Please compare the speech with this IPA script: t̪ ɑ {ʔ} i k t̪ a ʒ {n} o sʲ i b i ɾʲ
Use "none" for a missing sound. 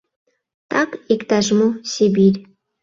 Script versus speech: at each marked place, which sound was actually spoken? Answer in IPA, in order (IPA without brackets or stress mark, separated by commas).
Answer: k, m